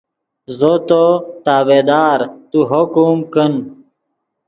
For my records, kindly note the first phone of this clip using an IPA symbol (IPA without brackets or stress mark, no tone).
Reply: z